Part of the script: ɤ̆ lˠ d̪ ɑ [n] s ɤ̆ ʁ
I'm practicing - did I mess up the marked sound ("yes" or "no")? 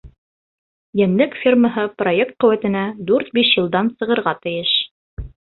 no